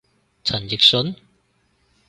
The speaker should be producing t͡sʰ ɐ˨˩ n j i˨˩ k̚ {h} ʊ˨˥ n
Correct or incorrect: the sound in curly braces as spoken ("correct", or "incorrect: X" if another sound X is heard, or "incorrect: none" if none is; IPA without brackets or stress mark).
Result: incorrect: s